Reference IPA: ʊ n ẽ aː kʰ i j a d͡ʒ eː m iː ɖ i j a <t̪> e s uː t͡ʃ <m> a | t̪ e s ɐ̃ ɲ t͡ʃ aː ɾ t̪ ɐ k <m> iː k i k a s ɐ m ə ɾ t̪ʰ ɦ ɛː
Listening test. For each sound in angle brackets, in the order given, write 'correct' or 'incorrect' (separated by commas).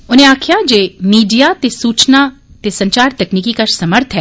correct, incorrect, incorrect